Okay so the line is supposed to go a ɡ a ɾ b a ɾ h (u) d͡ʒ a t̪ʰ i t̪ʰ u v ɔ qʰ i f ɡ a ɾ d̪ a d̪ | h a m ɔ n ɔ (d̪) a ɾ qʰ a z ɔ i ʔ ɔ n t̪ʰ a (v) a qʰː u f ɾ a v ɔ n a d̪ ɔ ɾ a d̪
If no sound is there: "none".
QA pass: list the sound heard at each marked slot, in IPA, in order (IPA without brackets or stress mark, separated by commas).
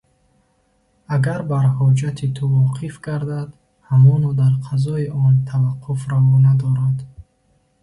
ɔ, d̪, v